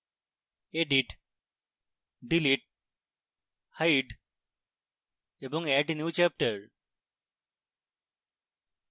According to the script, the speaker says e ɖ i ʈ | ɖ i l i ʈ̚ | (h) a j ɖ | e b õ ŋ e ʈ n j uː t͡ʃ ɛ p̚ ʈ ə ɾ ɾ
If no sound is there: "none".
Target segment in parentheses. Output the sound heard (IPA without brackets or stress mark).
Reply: h